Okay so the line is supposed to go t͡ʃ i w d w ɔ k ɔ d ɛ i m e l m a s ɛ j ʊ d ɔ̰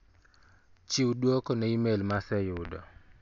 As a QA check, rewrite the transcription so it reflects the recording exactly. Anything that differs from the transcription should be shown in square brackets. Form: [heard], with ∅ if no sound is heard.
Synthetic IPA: t͡ʃ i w d w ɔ k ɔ [n] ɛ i m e l m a s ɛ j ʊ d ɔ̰